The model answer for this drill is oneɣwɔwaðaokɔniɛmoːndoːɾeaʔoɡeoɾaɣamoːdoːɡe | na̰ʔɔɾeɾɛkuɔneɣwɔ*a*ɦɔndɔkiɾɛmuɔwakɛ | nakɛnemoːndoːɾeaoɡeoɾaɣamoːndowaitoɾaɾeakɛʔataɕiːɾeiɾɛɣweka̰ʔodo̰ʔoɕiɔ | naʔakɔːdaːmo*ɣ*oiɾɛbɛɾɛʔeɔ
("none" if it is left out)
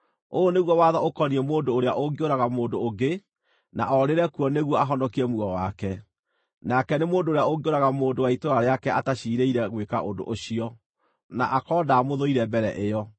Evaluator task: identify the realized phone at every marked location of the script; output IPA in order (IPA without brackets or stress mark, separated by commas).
a, ð